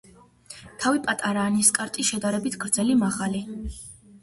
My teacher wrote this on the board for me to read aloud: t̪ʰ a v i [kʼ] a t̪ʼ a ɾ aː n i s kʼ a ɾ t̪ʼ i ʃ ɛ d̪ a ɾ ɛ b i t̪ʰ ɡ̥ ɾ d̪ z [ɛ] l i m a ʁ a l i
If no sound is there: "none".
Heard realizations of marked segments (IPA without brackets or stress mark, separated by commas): pʼ, ɛ